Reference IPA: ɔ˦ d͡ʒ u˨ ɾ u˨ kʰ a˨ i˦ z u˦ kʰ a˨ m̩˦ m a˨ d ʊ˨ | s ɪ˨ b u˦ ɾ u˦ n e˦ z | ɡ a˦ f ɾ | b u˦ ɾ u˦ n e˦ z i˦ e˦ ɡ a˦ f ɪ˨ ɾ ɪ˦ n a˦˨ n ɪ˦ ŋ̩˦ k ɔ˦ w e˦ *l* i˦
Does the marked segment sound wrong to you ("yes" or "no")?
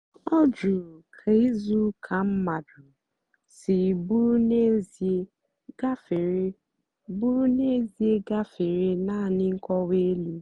no